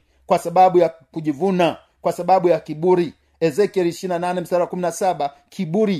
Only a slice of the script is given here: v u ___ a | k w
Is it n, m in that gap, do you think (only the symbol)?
n